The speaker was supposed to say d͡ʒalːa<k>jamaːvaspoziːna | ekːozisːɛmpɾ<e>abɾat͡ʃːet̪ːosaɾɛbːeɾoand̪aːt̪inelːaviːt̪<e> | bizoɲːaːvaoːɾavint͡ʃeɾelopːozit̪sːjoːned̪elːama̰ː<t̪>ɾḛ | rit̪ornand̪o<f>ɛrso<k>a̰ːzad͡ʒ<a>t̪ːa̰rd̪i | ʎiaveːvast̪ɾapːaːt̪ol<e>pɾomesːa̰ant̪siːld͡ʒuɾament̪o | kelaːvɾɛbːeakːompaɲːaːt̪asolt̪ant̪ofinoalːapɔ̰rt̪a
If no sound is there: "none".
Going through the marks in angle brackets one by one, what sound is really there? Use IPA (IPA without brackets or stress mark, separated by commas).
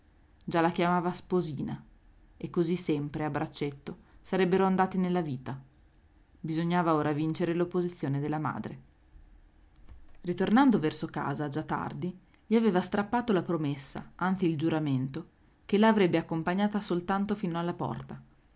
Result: k, e, a, d̪, v, k, a, a